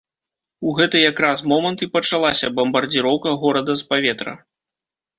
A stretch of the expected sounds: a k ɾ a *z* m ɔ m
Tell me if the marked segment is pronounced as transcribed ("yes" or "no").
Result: no